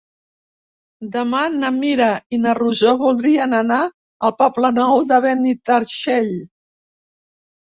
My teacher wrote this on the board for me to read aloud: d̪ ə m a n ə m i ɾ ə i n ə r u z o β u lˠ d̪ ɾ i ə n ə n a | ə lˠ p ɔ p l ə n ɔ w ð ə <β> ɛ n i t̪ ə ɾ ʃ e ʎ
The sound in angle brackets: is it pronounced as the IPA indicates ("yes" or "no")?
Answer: yes